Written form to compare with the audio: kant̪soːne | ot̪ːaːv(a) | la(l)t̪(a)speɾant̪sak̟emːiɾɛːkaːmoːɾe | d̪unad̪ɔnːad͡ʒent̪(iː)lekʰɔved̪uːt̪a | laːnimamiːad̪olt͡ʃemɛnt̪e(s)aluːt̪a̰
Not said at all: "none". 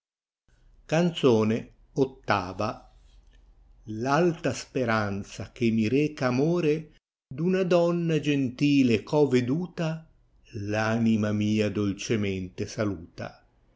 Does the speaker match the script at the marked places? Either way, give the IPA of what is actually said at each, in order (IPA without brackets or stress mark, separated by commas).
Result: a, l, a, iː, s